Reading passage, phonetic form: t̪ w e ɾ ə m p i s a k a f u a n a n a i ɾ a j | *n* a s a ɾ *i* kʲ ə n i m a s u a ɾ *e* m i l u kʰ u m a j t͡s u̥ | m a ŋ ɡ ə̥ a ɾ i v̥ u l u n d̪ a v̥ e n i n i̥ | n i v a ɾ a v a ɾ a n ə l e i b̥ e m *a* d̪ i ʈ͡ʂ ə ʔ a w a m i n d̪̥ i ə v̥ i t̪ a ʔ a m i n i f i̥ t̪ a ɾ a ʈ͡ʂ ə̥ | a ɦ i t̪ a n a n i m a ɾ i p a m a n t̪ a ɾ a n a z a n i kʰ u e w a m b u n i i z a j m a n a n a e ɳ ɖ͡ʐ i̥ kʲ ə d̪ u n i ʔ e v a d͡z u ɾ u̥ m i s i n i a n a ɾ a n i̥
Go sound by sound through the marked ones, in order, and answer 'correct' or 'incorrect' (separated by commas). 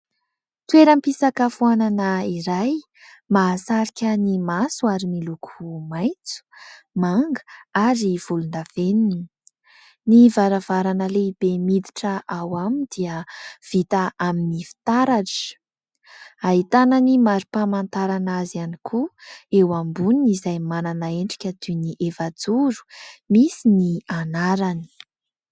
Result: incorrect, correct, incorrect, incorrect